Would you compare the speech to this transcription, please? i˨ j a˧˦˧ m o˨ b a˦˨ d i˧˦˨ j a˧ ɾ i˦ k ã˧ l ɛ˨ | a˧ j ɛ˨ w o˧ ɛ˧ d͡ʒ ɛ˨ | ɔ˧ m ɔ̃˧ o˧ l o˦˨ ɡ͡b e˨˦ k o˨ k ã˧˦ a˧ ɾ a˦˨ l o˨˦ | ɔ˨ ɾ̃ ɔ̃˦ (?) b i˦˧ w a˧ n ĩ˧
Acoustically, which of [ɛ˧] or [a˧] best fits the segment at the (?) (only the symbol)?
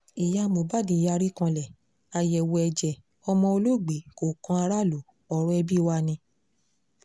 ɛ˧